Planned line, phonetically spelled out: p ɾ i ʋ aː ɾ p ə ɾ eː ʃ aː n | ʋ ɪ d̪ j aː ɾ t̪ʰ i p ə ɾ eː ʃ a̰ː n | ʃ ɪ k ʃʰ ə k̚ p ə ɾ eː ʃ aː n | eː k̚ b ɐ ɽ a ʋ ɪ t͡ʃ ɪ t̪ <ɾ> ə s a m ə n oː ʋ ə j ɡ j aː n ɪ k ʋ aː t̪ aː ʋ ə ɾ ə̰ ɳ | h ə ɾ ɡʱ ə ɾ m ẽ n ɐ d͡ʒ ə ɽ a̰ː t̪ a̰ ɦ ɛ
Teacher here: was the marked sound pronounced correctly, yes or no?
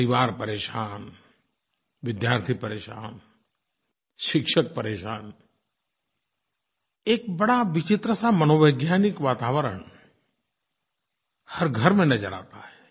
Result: yes